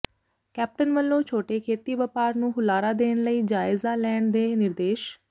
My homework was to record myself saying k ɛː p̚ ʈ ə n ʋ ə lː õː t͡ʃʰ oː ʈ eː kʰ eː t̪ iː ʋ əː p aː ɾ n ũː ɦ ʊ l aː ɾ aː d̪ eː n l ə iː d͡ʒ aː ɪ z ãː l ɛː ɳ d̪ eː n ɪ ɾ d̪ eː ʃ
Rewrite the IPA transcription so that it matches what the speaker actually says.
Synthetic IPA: k ɛː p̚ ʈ ə n ʋ ə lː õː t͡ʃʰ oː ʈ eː kʰ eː t̪ iː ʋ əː p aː ɾ n ũː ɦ ʊ l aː ɾ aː d̪ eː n l ə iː d͡ʒ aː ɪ z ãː l ɛː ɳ d̪ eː n ɪ ɾ d̪ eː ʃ